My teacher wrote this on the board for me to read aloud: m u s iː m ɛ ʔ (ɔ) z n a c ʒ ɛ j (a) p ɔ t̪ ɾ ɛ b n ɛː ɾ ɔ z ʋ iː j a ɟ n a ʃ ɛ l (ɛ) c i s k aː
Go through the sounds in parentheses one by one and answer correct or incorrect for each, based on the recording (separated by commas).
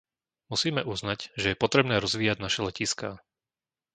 incorrect, incorrect, correct